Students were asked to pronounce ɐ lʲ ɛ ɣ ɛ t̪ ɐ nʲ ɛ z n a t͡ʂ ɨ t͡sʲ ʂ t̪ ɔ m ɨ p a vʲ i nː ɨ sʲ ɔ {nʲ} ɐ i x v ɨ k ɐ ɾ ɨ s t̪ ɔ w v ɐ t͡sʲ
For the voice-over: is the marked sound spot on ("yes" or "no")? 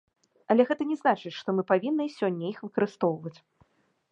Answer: no